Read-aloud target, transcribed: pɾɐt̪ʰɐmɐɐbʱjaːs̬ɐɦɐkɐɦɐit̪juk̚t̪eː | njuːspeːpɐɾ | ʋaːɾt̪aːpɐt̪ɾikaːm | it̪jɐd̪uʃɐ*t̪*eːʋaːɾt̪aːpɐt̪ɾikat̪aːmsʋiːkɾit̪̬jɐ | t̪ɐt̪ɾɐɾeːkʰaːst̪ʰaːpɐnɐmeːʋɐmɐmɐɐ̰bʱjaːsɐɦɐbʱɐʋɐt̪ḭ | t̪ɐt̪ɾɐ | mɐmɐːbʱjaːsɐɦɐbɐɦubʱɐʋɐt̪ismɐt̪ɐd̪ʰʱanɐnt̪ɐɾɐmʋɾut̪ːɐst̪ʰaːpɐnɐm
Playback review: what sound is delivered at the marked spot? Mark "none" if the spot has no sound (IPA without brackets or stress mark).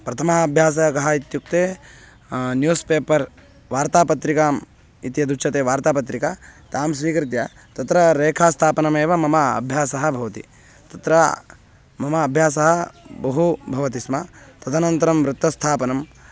t̪